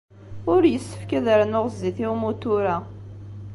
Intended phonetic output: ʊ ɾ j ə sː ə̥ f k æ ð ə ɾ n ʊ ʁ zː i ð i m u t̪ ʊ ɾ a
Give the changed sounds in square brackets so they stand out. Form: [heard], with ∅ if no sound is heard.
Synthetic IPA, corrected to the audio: ʊ ɾ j ə sː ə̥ f k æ ð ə ɾ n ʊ ʁ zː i [θ] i m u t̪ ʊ ɾ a